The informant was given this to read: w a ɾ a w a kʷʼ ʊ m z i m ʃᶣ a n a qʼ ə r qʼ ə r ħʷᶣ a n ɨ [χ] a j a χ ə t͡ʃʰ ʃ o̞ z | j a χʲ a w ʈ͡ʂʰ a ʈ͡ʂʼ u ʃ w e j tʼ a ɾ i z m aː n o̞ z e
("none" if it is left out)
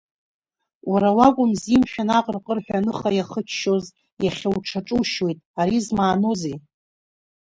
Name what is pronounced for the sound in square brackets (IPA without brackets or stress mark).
χ